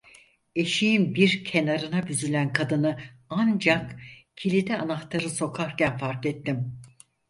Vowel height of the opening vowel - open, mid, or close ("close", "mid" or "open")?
mid